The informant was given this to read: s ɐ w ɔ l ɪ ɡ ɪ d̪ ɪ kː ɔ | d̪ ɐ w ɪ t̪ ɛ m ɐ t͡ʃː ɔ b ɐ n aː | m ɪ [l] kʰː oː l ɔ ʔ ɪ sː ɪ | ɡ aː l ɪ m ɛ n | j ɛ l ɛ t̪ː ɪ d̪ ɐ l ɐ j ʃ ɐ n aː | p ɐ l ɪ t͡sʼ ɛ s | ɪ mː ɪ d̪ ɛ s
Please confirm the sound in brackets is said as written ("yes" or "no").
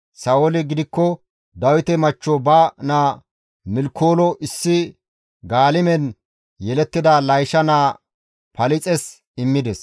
yes